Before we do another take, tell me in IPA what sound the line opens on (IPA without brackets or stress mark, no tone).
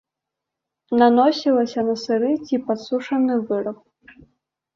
n